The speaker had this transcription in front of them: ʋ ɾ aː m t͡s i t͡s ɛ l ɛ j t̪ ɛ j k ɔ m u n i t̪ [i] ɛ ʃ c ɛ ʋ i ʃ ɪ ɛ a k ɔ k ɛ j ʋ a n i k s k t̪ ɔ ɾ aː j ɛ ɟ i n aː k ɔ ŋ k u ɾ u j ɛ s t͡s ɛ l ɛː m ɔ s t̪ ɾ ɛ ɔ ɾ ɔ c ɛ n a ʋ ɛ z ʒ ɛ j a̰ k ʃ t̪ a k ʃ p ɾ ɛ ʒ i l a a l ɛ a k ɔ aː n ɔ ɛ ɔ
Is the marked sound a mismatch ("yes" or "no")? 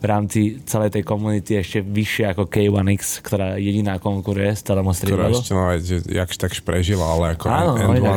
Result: no